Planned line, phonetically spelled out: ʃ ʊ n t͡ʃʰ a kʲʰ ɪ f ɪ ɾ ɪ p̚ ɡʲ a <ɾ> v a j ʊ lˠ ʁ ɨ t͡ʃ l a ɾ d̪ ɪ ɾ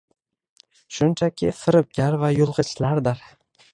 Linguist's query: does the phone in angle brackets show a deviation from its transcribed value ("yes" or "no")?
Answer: no